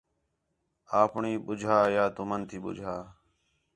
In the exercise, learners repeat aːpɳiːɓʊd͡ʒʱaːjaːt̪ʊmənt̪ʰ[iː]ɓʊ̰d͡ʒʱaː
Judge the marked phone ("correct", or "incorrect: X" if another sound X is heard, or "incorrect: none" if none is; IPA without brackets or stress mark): correct